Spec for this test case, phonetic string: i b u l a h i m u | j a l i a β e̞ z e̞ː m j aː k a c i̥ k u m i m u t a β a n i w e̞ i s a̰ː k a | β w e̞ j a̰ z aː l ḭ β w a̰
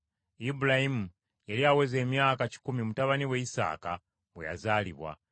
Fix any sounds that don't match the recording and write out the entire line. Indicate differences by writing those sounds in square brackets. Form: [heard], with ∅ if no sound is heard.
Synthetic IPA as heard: i b u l a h i m u | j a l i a [w] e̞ z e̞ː m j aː k a c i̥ k u m i m u t a β a n i w e̞ i s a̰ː k a | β w e̞ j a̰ z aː l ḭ β w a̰